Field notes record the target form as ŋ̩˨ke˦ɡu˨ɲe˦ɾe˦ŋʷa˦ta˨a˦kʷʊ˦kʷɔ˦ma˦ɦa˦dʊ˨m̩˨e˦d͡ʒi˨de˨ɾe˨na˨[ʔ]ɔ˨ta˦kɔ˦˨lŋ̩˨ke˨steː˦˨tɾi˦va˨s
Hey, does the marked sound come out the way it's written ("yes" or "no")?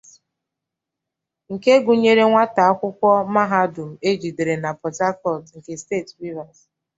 no